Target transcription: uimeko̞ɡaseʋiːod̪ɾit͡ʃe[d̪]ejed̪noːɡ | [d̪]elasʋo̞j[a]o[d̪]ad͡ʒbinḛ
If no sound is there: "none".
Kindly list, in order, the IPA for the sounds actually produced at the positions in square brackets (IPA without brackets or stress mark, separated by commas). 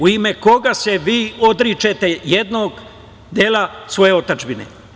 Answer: t̪, d̪, e, t̪